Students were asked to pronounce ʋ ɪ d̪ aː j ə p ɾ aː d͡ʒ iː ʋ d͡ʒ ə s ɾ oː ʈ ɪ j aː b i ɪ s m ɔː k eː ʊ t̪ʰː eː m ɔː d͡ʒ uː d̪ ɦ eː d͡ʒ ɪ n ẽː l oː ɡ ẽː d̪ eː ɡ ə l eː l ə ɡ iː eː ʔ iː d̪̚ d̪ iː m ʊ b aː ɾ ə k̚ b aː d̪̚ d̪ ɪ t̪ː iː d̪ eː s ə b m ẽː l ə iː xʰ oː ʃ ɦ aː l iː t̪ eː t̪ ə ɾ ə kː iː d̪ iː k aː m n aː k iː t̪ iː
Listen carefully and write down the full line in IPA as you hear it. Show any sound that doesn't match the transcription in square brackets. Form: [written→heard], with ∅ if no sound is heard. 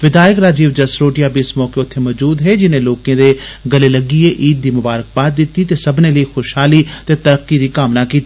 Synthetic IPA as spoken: ʋ ɪ d̪ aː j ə [p→k] ɾ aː d͡ʒ iː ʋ d͡ʒ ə s ɾ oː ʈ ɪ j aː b i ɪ s m ɔː k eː ʊ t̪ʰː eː m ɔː d͡ʒ uː d̪ ɦ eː d͡ʒ ɪ n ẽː l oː [ɡ→k] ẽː d̪ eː ɡ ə l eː l ə ɡ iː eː ʔ iː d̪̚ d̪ iː m ʊ b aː ɾ ə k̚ b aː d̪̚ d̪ ɪ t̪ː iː [d̪→t̪] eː s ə b [m→n] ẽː l ə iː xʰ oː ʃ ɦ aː l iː t̪ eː t̪ ə ɾ ə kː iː d̪ iː k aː m n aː k iː t̪ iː

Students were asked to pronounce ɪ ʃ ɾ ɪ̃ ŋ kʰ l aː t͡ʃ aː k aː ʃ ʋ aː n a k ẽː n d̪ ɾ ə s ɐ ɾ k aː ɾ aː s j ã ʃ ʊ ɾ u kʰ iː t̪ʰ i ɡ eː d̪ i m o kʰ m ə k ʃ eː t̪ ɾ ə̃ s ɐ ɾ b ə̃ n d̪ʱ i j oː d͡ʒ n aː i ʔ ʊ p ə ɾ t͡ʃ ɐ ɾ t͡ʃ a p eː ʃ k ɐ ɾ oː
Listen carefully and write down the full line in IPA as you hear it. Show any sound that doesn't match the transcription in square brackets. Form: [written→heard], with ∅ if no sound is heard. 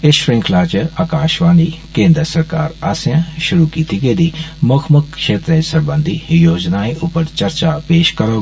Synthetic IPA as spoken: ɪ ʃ ɾ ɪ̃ ŋ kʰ l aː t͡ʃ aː k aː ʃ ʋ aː n [a→i] k ẽː n d̪ ɾ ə s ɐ ɾ k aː ɾ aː s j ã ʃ ʊ ɾ u [kʰ→k] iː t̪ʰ i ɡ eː d̪ i m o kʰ m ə k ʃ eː t̪ ɾ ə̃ s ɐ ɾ b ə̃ n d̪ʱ i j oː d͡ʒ n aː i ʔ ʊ p ə ɾ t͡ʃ ɐ ɾ t͡ʃ a p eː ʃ k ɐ ɾ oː

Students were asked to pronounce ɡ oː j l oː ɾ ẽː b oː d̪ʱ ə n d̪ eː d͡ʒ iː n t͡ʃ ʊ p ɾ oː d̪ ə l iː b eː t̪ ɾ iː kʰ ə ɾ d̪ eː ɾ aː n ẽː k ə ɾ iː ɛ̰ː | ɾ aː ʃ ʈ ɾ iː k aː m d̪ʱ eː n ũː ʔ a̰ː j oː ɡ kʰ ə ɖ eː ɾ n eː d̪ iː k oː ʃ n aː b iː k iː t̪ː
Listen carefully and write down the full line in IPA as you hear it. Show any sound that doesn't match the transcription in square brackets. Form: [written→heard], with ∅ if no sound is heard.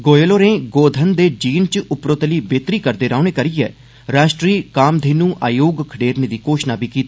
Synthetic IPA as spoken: ɡ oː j l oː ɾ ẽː [b→ɡ] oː d̪ʱ ə n d̪ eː d͡ʒ iː n t͡ʃ ʊ p ɾ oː [d̪→t̪] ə l iː b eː t̪ ɾ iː [kʰ→k] ə ɾ d̪ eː ɾ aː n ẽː k ə ɾ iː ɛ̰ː | ɾ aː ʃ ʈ ɾ iː k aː m d̪ʱ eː n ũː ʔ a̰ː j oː ɡ kʰ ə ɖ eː ɾ n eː d̪ iː k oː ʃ n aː b iː k iː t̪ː

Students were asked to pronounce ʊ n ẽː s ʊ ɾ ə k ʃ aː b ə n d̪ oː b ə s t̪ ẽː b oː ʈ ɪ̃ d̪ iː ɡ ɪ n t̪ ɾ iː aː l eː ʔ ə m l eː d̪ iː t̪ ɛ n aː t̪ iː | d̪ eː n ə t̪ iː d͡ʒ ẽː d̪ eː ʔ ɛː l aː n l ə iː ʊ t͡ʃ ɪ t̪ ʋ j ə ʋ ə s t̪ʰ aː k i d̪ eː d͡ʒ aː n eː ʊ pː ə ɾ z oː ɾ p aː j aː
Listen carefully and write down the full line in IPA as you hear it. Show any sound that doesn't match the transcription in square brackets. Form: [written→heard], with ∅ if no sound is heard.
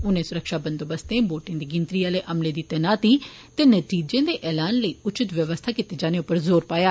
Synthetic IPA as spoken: ʊ n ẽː s ʊ ɾ ə k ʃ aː b ə n d̪ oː b ə s t̪ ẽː b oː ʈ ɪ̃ d̪ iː ɡ ɪ n t̪ ɾ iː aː l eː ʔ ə m l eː d̪ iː t̪ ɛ n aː t̪ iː | [d̪→t̪] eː n ə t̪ iː d͡ʒ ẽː d̪ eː ʔ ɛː l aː n l ə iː ʊ t͡ʃ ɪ t̪ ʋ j ə ʋ ə s t̪ʰ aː k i [d̪→t̪] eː d͡ʒ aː n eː ʊ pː ə ɾ z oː ɾ p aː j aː

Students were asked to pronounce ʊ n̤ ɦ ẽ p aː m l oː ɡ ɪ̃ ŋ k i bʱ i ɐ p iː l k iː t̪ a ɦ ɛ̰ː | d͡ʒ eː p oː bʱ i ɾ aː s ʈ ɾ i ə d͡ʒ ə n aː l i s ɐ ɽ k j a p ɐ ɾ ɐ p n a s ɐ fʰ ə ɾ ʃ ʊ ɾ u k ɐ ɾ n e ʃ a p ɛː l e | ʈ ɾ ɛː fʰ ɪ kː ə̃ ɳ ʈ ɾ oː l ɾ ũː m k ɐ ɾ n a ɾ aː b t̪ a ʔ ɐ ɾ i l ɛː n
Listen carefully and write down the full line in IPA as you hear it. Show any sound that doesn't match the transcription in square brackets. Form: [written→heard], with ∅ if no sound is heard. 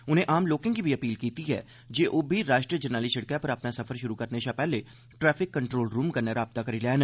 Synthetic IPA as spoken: ʊ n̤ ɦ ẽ [p→ʔ] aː m l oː [ɡ→k] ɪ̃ ŋ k i bʱ i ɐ p iː l k iː t̪ [a→i] ɦ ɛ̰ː | d͡ʒ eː [p→ʔ] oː bʱ i ɾ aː [s→ʃ] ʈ ɾ i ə d͡ʒ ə n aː l i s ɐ ɽ k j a p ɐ ɾ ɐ p n a s ɐ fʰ ə ɾ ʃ ʊ ɾ u k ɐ ɾ n e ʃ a p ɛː l e | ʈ ɾ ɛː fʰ ɪ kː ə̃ ɳ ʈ ɾ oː l ɾ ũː m k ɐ ɾ n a ɾ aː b t̪ a [ʔ→k] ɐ ɾ i l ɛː n

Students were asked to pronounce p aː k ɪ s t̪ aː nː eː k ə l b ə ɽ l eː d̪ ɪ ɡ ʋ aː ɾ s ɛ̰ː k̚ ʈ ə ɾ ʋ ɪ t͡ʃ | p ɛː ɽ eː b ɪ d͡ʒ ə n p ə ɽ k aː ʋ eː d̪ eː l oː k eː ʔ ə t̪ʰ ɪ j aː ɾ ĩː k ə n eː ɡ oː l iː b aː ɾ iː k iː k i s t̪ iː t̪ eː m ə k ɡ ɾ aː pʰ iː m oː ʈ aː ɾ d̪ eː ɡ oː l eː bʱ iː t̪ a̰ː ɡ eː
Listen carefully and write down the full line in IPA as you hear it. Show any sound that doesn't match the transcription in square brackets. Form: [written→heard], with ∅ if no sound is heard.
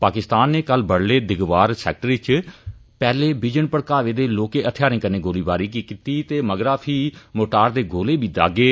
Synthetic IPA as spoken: p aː k ɪ s t̪ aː nː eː k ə l b ə ɽ l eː d̪ ɪ ɡ ʋ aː ɾ s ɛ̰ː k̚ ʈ ə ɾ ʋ ɪ t͡ʃ | p ɛː [ɽ→l] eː b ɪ d͡ʒ ə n p ə ɽ k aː ʋ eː d̪ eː l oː k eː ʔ ə t̪ʰ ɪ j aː ɾ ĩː k ə n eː ɡ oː l iː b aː ɾ iː k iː k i [s→∅] t̪ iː t̪ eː m ə [k→∅] ɡ ɾ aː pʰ iː m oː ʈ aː ɾ d̪ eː ɡ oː l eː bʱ iː [t̪→d̪] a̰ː ɡ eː

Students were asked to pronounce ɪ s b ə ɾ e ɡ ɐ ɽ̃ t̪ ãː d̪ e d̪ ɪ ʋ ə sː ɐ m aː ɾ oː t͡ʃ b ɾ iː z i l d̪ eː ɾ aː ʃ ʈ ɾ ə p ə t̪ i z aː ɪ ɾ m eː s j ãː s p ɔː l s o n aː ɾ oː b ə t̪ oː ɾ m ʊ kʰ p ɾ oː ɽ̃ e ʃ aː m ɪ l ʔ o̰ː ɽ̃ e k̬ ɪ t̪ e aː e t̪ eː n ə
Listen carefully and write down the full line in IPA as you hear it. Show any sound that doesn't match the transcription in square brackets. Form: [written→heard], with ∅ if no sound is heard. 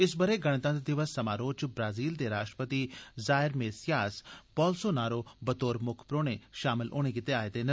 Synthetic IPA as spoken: ɪ s b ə ɾ e ɡ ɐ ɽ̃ t̪ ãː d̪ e d̪ ɪ ʋ ə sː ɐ m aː ɾ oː t͡ʃ b ɾ [iː→aː] z [i→iː] l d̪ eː ɾ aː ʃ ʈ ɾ ə p ə t̪ i z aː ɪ ɾ m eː s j [ãː→aː] s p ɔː l s o n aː ɾ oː b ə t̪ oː ɾ m ʊ kʰ p ɾ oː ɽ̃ e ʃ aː m ɪ l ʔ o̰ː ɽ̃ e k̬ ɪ t̪ e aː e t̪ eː n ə

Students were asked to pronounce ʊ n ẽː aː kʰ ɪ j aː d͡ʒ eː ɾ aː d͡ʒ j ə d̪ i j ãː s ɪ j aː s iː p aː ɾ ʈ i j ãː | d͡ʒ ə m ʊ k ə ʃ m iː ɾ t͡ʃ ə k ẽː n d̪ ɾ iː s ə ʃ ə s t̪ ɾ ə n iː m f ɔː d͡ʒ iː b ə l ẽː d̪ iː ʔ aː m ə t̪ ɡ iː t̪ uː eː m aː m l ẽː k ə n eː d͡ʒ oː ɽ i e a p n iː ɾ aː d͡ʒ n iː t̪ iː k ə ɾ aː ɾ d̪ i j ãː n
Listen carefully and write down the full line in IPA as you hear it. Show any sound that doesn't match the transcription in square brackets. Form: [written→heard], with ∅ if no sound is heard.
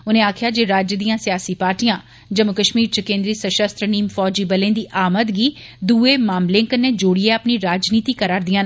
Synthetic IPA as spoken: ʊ n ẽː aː kʰ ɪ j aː d͡ʒ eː ɾ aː d͡ʒ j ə d̪ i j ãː s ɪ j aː s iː p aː ɾ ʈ i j ãː | d͡ʒ ə m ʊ k ə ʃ m iː ɾ t͡ʃ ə k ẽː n d̪ ɾ iː s ə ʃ ə s t̪ ɾ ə n iː m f ɔː d͡ʒ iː b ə l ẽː d̪ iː ʔ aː m ə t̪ ɡ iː [t̪→d̪] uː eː m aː m l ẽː k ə n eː d͡ʒ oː ɽ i e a p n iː ɾ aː d͡ʒ n iː t̪ iː k ə ɾ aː ɾ d̪ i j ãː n

